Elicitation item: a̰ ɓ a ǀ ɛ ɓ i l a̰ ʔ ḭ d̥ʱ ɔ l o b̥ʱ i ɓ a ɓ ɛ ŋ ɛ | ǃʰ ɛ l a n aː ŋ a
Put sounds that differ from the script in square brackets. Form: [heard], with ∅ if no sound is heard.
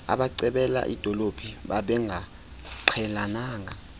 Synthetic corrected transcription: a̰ ɓ a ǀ ɛ ɓ [ɛ] l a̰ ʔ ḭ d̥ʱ ɔ l o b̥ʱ i ɓ a ɓ ɛ ŋ [a] | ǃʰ ɛ l a n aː ŋ a